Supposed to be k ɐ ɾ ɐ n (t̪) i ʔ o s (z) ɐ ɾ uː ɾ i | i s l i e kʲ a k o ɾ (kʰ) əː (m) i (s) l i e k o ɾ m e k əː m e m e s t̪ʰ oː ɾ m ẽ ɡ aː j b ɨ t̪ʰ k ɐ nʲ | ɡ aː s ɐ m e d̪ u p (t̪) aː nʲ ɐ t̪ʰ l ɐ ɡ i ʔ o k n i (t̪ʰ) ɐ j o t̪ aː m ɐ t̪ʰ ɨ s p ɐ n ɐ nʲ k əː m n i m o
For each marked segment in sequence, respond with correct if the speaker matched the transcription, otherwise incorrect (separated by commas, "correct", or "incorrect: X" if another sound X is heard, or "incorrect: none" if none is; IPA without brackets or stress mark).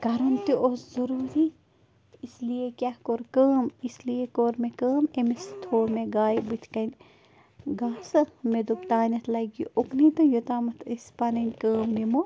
correct, correct, incorrect: k, correct, correct, correct, incorrect: t̪